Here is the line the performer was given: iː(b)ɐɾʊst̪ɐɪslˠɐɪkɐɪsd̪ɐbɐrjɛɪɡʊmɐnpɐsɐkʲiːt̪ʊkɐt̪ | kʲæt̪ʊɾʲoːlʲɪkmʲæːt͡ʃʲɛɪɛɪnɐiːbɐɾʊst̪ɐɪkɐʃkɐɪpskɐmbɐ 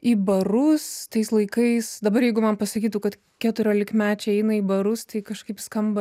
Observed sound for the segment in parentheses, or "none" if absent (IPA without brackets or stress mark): b